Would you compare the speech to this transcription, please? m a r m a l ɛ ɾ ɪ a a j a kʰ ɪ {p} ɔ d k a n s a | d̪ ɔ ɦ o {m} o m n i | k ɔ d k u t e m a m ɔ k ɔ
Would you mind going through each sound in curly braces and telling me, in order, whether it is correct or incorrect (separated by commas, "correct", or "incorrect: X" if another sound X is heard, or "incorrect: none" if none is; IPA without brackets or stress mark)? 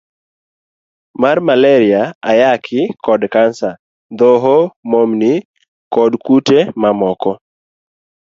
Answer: incorrect: k, correct